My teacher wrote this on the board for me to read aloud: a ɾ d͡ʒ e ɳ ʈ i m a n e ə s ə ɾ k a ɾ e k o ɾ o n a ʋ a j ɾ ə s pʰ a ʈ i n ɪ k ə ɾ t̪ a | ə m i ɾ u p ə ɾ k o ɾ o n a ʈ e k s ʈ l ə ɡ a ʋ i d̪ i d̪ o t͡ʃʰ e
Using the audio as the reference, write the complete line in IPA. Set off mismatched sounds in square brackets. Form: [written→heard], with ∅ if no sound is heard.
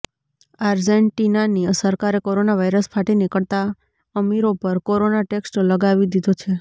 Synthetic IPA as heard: a ɾ d͡ʒ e ɳ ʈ i [m→n] a n [e→i] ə s ə ɾ k a ɾ e k o ɾ o n a ʋ a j ɾ ə s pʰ a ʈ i n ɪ k ə [ɾ→ɭ] t̪ a | ə m i ɾ [u→o] p ə ɾ k o ɾ o n a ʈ e k s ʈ l ə ɡ a ʋ i d̪ i d̪ o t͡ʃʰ e